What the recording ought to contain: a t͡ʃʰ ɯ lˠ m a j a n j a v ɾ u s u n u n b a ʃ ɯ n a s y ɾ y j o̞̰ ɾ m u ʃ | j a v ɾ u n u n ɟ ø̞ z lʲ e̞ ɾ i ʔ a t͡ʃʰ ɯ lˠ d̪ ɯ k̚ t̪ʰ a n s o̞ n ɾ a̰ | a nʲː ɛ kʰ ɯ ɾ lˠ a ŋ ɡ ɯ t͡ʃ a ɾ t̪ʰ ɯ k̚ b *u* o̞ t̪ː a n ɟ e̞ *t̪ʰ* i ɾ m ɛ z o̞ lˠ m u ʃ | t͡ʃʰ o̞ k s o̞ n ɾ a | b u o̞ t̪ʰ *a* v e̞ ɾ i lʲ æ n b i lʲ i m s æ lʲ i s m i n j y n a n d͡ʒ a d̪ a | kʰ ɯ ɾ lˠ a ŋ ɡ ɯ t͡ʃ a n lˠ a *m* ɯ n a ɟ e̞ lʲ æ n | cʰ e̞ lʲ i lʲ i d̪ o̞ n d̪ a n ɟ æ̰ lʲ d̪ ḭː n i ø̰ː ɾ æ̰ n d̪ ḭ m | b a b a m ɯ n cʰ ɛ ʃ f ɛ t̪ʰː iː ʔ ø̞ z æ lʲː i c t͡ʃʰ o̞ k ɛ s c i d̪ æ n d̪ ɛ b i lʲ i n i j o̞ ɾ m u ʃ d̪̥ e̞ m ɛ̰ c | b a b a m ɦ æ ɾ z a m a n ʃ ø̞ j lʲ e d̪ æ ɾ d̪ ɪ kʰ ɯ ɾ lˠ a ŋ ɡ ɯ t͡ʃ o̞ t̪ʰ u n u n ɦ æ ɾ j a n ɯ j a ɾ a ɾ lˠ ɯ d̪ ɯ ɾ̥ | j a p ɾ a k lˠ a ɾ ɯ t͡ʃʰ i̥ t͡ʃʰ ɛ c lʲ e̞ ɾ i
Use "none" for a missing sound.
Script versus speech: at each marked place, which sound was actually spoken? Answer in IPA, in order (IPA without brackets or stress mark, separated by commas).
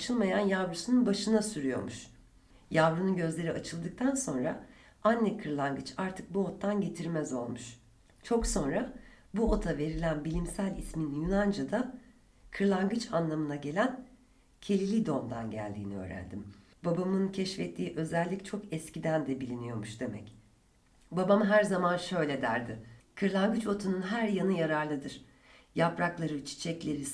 u, t̪ʰ, a, m